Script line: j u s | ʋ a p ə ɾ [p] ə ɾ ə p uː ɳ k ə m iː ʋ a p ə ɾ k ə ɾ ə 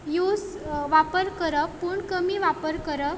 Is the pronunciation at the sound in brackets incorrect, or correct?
incorrect